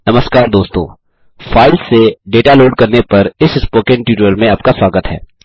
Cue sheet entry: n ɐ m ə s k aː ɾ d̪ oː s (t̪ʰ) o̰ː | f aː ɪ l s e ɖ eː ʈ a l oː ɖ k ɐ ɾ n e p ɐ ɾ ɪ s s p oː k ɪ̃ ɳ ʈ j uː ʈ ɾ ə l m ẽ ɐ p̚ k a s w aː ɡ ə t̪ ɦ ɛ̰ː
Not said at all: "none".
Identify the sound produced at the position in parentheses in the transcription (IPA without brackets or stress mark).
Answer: t̪